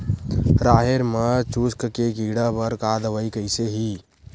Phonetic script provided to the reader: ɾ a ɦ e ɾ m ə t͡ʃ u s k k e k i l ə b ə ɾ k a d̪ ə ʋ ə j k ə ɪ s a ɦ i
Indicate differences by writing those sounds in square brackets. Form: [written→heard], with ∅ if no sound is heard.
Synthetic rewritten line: ɾ a ɦ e ɾ m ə t͡ʃ u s k k e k i [l→ɽ] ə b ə ɾ k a d̪ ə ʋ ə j k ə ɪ s [a→e] ɦ i